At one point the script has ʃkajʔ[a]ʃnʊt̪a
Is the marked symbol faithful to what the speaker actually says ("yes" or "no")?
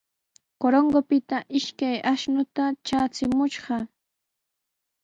yes